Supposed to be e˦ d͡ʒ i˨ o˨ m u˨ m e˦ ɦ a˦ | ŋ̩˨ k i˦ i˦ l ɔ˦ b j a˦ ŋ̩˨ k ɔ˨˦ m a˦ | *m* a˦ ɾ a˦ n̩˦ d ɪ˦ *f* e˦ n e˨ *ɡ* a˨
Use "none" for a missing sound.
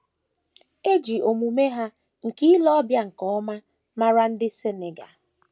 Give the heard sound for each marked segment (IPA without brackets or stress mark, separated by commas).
m, s, ɡ